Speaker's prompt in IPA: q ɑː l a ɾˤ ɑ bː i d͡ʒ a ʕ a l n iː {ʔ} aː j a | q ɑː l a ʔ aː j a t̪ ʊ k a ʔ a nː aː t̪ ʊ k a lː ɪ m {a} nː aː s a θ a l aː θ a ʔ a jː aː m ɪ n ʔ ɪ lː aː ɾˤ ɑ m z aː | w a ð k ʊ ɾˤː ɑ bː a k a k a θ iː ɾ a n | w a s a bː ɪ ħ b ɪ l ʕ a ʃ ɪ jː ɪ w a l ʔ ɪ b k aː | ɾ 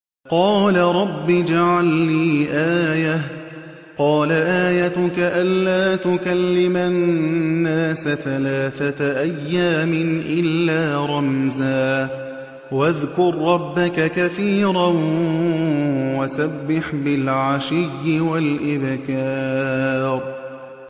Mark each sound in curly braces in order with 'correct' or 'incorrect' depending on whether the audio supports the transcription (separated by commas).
correct, correct